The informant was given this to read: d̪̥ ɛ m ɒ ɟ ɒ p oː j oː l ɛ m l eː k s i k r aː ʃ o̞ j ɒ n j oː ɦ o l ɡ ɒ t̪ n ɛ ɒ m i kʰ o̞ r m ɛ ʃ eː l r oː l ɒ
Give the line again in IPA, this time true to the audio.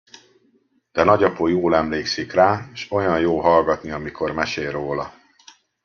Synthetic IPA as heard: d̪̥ ɛ n ɒ ɟ ɒ p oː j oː l ɛ m l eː k s i k r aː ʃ o̞ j ɒ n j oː ɦ ɒ l ɡ ɒ t̪ n i ɒ m i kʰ o̞ r m ɛ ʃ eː l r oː l ɒ